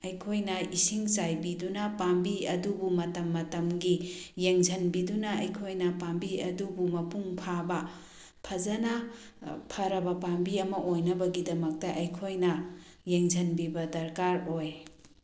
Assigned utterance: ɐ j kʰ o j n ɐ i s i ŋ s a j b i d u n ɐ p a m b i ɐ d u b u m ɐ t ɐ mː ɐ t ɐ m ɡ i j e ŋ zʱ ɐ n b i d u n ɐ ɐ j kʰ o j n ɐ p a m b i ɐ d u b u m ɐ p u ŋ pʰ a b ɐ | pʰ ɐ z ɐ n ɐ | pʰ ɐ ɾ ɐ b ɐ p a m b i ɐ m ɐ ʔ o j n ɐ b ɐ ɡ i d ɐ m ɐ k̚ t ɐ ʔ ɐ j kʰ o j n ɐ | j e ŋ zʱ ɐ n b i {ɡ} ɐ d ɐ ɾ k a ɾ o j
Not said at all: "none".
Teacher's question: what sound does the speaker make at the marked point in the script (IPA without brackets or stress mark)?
b